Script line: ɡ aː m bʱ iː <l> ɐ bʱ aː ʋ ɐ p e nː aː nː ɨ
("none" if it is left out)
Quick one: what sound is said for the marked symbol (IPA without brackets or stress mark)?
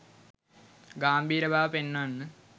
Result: ɾ